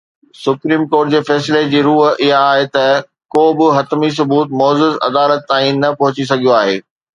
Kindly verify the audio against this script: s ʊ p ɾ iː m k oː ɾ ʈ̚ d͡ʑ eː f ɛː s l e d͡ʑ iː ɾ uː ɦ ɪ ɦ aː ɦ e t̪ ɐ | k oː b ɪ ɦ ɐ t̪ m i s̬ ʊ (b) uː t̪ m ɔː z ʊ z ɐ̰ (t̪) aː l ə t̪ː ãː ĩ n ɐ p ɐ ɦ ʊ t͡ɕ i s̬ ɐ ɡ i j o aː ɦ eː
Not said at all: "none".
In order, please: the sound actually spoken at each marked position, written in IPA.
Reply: b, d̪

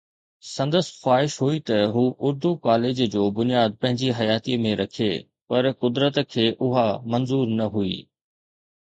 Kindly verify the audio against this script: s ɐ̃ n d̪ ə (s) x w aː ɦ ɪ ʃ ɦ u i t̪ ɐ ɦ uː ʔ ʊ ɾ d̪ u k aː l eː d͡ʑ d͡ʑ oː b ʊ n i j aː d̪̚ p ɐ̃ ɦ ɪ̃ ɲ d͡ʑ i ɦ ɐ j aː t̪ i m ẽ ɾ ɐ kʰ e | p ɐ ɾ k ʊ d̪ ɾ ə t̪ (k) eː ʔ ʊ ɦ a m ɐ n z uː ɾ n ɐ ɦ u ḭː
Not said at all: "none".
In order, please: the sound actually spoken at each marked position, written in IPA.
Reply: s, kʰ

